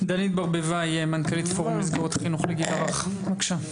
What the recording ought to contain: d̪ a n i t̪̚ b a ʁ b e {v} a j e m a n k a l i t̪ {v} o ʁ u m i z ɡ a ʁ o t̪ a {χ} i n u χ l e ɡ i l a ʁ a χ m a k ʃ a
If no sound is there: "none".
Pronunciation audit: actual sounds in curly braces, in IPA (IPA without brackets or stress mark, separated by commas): v, f, χ